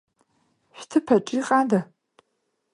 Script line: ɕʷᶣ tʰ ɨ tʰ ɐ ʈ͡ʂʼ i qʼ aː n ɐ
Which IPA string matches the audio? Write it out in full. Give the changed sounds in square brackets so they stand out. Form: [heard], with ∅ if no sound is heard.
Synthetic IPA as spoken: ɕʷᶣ tʰ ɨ [pʰ] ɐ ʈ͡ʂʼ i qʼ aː [d] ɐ